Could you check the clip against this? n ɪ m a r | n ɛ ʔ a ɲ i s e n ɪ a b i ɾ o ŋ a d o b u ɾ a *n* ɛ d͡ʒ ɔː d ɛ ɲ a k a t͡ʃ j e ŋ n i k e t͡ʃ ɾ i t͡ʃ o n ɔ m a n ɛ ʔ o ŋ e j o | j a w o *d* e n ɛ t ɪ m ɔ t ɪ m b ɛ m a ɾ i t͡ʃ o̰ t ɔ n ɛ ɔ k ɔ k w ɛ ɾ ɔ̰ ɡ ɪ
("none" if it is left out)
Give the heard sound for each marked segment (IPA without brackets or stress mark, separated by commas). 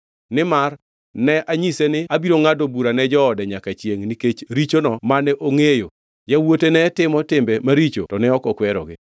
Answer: n, t